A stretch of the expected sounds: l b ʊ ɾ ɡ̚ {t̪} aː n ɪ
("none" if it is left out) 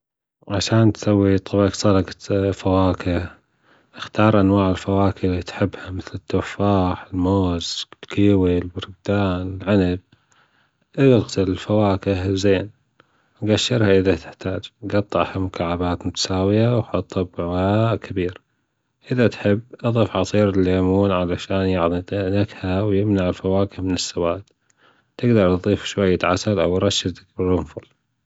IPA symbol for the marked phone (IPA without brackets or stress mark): d̪